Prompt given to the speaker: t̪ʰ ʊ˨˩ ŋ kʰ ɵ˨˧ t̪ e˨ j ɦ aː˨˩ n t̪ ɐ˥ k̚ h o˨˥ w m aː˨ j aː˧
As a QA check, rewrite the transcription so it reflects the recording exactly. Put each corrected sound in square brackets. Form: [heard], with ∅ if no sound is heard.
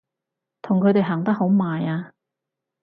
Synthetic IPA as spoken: t̪ʰ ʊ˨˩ ŋ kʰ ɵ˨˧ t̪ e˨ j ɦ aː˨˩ [ŋ] t̪ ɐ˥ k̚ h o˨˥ w m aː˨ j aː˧